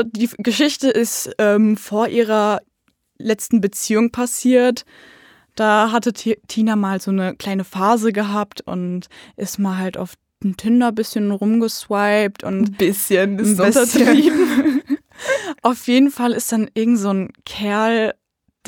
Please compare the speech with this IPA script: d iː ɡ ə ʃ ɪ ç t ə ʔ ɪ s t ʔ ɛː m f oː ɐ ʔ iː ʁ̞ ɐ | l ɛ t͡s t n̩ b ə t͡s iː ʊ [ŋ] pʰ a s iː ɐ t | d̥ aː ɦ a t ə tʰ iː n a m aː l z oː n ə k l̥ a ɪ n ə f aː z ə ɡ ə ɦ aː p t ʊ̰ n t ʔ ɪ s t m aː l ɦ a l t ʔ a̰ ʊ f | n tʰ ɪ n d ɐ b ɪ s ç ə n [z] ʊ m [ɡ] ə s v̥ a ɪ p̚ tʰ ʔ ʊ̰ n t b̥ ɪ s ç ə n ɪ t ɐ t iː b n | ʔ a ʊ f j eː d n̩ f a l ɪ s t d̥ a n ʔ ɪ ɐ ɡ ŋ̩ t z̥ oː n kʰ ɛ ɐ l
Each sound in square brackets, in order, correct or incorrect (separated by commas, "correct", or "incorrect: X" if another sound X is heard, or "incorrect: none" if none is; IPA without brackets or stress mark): correct, incorrect: ʁ, correct